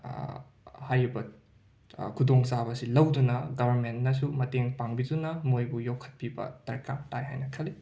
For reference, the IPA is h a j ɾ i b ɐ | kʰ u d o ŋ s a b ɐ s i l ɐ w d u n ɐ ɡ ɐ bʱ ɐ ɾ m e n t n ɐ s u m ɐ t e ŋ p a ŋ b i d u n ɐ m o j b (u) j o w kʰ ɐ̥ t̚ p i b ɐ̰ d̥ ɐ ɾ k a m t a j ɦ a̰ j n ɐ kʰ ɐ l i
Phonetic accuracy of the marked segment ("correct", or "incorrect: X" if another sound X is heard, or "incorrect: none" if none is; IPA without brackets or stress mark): correct